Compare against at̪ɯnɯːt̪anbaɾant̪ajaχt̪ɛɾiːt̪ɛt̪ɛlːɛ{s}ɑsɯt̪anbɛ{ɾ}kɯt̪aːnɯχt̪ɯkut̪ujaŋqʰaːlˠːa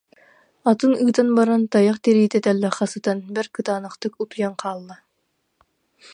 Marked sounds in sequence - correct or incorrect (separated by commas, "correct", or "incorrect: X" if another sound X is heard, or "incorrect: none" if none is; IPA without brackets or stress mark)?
incorrect: χ, correct